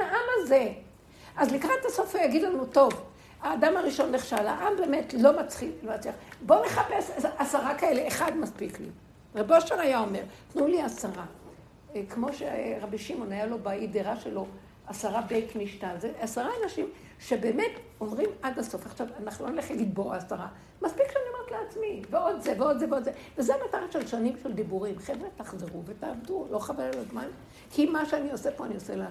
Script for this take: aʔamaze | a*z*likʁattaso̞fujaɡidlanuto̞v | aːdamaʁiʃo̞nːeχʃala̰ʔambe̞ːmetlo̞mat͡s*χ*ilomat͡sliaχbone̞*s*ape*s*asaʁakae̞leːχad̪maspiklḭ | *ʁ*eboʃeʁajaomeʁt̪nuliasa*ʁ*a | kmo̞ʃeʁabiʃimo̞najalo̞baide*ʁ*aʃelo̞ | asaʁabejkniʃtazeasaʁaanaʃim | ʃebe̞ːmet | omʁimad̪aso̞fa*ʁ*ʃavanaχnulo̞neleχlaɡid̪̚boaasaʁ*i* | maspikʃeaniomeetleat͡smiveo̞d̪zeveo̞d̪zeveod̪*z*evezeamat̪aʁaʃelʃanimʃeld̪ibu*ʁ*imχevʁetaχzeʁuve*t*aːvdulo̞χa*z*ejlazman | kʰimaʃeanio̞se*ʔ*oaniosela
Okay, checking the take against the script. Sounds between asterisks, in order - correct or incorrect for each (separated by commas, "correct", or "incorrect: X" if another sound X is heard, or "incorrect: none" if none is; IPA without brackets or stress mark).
correct, correct, incorrect: χ, correct, correct, correct, correct, incorrect: χ, incorrect: a, correct, correct, correct, incorrect: v, incorrect: p